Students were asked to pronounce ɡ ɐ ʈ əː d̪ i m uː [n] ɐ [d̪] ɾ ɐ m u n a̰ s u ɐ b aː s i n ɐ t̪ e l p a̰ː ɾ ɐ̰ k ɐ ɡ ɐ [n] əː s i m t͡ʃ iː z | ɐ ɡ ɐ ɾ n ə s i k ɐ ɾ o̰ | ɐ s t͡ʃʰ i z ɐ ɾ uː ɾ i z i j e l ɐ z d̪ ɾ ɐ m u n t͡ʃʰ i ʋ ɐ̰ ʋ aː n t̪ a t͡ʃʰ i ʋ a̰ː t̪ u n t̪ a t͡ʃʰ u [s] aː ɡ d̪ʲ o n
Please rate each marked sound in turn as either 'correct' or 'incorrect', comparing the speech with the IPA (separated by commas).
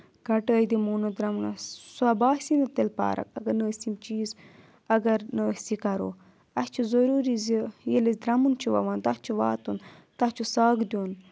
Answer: correct, correct, correct, correct